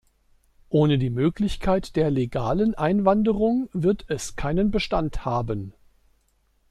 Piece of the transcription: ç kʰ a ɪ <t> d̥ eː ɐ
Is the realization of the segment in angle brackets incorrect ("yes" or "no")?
no